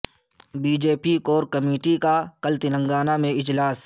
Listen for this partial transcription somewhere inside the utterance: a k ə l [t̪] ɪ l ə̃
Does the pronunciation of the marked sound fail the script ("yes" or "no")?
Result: no